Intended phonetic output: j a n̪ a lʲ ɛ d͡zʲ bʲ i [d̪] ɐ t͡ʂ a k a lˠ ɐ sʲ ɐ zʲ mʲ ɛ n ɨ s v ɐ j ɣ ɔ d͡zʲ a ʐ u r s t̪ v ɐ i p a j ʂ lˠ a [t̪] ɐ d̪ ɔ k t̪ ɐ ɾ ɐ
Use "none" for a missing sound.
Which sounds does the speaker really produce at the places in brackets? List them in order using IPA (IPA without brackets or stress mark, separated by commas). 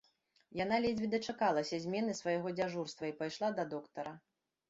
d̪, d̪